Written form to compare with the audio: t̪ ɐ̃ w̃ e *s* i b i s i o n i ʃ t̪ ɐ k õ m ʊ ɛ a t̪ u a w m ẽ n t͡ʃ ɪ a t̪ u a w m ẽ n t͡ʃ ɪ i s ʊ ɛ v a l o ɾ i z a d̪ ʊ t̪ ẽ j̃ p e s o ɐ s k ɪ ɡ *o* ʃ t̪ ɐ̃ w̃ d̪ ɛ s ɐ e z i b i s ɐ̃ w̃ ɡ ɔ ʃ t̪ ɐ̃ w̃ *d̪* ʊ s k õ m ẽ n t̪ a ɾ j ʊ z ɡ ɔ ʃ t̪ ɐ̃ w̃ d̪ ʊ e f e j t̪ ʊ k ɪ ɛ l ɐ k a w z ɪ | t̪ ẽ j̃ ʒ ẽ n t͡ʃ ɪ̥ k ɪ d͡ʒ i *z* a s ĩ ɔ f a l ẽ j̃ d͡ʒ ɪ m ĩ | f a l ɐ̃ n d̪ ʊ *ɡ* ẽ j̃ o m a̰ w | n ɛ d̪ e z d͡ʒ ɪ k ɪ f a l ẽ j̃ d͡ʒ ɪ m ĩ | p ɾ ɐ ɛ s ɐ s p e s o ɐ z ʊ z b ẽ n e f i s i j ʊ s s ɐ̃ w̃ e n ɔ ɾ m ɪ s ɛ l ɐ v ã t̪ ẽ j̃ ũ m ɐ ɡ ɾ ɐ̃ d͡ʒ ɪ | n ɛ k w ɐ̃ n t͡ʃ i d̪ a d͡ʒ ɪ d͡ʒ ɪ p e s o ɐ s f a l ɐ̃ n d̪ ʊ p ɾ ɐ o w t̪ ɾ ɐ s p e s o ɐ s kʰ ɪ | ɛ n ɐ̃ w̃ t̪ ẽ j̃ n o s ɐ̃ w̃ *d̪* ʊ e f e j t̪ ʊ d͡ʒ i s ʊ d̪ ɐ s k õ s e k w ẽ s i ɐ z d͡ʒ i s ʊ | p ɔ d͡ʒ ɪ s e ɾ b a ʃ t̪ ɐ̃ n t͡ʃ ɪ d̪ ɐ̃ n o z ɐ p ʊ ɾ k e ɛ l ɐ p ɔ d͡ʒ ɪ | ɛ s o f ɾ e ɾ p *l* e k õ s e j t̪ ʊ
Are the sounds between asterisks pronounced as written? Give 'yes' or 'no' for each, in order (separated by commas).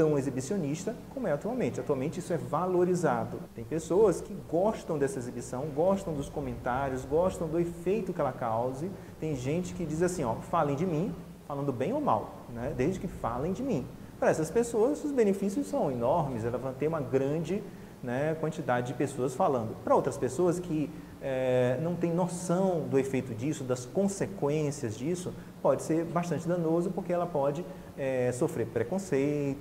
no, no, yes, yes, no, yes, no